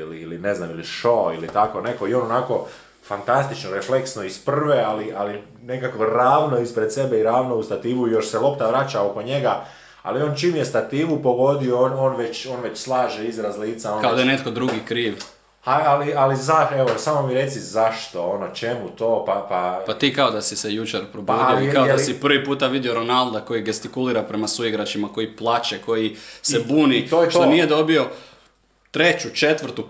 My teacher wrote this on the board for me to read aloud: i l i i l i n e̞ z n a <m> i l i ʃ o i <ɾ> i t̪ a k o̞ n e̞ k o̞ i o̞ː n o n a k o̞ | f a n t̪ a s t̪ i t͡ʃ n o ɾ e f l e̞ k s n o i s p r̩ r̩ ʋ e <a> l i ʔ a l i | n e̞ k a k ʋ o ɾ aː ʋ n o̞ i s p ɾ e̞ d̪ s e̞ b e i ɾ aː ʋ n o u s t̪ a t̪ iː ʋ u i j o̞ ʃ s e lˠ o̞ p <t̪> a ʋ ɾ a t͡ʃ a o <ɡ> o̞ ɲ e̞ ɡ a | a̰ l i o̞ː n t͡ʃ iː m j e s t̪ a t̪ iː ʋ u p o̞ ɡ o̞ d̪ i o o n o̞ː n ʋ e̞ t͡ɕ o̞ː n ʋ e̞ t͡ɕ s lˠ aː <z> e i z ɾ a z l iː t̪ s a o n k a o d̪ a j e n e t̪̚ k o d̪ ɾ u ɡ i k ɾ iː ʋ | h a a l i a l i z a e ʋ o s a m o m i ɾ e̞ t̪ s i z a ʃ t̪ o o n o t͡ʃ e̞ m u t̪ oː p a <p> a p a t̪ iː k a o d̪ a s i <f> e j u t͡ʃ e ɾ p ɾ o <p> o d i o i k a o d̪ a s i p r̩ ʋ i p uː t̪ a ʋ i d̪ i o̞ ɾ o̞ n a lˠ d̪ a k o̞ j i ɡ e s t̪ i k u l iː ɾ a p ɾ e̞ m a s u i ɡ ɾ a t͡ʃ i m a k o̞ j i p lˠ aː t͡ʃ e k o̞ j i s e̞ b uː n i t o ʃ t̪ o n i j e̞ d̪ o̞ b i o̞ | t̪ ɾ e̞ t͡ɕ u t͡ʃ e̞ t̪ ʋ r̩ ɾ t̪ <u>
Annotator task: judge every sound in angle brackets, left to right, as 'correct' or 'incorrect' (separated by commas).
correct, incorrect, correct, correct, incorrect, incorrect, correct, incorrect, incorrect, correct